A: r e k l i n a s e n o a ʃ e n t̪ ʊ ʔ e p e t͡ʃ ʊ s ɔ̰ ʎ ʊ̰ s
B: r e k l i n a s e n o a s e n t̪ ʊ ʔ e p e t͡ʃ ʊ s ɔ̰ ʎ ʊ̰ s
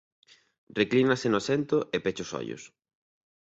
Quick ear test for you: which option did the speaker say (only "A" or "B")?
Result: B